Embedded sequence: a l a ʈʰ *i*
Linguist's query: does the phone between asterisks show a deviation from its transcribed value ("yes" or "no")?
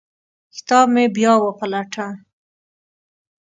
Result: yes